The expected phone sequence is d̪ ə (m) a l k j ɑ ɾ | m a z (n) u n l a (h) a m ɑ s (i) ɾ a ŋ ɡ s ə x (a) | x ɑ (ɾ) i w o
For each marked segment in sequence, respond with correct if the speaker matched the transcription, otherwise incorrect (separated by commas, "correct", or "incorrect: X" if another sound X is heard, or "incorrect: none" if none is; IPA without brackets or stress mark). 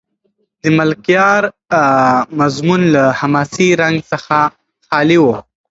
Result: correct, incorrect: m, correct, correct, correct, incorrect: l